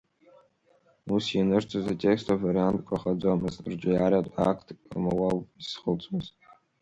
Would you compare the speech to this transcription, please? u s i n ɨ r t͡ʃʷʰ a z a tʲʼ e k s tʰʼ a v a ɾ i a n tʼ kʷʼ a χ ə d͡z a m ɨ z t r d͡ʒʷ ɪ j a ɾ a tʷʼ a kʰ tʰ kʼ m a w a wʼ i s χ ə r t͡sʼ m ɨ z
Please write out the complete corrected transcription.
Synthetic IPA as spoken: u s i n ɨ r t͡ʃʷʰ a z a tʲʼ e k s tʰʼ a v a ɾ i a n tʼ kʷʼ a χ a d͡z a m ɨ z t r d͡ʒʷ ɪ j a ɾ a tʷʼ a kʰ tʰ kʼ m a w a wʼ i s χ ə l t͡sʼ m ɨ z